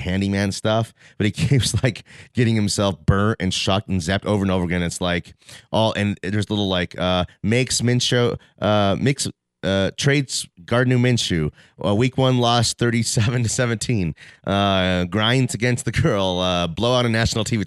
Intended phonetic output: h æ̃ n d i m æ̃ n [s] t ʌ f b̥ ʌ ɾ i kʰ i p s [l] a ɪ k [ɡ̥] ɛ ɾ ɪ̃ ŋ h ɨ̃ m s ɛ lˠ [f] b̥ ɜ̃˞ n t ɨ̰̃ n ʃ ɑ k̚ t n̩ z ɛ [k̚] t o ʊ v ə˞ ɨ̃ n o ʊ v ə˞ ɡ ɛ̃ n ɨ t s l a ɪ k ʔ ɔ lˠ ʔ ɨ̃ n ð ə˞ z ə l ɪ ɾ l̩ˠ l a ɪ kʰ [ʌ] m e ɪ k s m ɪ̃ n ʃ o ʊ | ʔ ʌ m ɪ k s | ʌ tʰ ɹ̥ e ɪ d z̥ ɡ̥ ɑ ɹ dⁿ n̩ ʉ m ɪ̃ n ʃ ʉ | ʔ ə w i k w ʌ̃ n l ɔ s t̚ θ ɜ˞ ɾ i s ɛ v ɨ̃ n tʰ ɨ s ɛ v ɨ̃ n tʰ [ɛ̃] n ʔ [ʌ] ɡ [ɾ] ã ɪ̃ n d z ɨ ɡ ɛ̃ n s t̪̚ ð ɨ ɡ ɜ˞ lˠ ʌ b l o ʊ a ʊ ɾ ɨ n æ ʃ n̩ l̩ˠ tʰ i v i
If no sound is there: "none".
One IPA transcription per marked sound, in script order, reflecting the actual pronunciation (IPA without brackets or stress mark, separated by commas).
s, l, ɡ̥, f, p̚, ʌ, ĩ, ʌ, ɹ